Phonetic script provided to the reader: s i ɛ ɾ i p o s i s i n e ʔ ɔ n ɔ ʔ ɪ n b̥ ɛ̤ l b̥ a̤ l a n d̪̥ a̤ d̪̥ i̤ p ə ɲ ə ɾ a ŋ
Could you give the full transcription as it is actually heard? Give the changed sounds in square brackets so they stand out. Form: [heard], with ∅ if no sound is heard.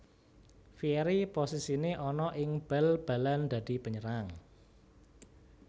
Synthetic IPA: [f] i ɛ ɾ i p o s i s i n e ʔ ɔ n ɔ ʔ ɪ [ŋ] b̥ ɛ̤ l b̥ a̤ l a n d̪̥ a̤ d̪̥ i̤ p ə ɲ ə ɾ a ŋ

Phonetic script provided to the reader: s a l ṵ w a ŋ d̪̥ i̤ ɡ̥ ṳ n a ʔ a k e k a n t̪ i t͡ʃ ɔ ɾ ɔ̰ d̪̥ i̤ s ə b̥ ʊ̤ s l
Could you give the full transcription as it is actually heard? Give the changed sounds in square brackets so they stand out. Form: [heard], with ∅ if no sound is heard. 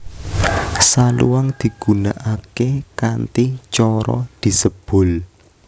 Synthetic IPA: s a l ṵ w a ŋ d̪̥ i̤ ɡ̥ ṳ n a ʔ a k e k a n t̪ i t͡ʃ ɔ ɾ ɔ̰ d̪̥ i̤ s ə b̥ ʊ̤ [∅] l

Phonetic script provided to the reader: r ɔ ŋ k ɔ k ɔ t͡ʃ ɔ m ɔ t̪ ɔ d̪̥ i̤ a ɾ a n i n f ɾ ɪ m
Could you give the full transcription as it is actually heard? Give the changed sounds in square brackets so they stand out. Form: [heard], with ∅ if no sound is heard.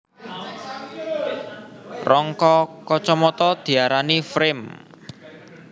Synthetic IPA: r ɔ ŋ k ɔ k ɔ t͡ʃ ɔ m ɔ t̪ ɔ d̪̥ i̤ a ɾ a n i [∅] f ɾ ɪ m

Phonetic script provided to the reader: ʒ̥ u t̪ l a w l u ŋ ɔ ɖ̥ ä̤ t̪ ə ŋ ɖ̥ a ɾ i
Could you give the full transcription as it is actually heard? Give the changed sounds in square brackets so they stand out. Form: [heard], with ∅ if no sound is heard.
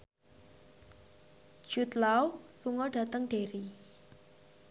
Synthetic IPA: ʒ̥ u t̪ l a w l u ŋ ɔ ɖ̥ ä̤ t̪ ə ŋ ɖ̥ [e] ɾ i

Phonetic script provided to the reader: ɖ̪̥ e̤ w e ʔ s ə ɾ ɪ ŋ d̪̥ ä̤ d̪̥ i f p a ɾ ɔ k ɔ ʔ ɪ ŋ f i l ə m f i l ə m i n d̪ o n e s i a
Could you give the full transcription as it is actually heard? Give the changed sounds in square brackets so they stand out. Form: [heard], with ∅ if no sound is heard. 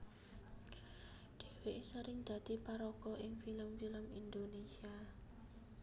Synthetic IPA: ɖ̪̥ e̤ w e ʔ s ə ɾ ɪ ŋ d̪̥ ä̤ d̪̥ i [∅] p a ɾ ɔ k ɔ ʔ ɪ ŋ f i l ə m f i l ə m i n d̪ o n e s i a

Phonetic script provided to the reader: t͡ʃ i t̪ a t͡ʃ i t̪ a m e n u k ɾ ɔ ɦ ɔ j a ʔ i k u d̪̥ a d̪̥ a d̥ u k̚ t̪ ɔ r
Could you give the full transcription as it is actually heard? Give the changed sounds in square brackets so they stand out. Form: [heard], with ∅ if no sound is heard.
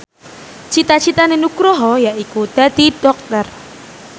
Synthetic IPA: t͡ʃ i t̪ a t͡ʃ i t̪ a [n] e n u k ɾ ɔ ɦ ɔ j a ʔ i k u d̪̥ a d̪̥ [i] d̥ [ɔ] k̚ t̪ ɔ r

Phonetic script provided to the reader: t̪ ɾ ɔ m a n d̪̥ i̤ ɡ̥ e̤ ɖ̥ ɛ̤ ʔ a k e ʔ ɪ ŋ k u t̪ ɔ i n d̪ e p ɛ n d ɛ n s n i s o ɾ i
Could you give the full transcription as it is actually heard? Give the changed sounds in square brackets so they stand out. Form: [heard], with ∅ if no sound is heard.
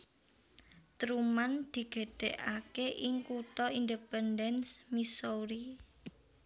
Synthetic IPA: t̪ ɾ [u] m a n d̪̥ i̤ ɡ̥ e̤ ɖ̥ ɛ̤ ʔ a k e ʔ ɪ ŋ k u t̪ ɔ i n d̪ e p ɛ n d ɛ n s [m] i s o ɾ i

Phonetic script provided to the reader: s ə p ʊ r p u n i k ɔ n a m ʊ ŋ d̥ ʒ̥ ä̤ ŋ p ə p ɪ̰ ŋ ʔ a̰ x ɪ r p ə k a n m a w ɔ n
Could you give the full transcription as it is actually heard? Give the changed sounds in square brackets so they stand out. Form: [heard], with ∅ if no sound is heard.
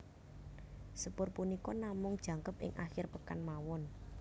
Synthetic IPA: s ə p ʊ r p u n i k ɔ n a m ʊ ŋ d̥ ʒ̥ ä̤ ŋ [k] ə p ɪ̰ ŋ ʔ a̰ x ɪ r p ə k a n m a w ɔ n

